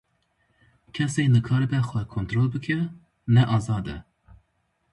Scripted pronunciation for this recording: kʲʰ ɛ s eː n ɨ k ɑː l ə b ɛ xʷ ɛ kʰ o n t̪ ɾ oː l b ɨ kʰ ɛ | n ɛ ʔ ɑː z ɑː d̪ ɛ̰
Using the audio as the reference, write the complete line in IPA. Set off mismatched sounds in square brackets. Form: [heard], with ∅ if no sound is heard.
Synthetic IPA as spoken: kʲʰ ɛ s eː n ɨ [kʰ] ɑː [ɾ] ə b ɛ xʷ ɛ kʰ o n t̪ ɾ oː l b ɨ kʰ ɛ | n ɛ ʔ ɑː z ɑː d̪ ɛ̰